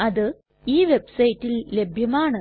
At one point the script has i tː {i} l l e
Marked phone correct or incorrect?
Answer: correct